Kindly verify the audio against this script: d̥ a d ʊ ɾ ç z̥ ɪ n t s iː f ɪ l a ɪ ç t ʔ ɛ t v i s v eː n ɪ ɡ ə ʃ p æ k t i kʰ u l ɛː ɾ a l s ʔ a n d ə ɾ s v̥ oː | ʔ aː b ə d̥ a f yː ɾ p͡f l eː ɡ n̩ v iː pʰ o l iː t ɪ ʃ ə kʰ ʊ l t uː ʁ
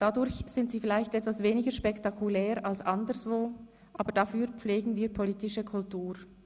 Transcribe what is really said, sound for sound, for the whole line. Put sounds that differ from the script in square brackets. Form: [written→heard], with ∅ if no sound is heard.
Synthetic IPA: d̥ a d ʊ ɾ ç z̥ ɪ n t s iː f ɪ l a ɪ ç t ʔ ɛ t v [i→a] s v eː n ɪ ɡ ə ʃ p [æ→ɛ] k t [i→a] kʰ u l ɛː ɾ a l s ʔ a n d ə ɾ s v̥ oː | ʔ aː b ə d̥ a f yː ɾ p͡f l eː ɡ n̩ v iː pʰ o l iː t ɪ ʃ ə kʰ ʊ l t uː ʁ